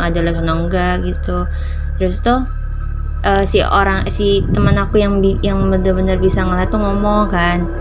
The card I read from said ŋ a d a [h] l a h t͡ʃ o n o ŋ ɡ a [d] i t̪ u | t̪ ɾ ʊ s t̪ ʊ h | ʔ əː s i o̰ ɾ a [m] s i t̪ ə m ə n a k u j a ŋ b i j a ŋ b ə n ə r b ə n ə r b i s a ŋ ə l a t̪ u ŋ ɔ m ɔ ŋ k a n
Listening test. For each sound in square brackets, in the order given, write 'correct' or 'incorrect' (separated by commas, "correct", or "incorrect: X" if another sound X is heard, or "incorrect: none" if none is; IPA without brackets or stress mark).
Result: incorrect: none, incorrect: ɡ, incorrect: ŋ